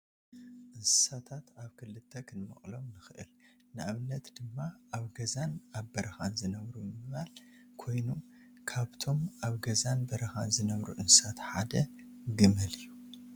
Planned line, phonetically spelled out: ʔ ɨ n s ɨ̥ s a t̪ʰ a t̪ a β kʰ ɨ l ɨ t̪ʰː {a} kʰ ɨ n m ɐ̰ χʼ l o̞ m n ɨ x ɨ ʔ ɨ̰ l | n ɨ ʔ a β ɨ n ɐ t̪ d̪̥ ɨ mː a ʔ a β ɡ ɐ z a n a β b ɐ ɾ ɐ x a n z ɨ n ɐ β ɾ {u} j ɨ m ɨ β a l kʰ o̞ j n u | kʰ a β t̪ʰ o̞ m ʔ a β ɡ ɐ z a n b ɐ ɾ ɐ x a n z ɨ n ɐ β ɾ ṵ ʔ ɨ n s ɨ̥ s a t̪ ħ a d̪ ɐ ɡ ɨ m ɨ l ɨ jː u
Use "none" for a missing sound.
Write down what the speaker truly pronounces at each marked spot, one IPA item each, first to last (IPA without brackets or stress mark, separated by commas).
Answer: ɐ, u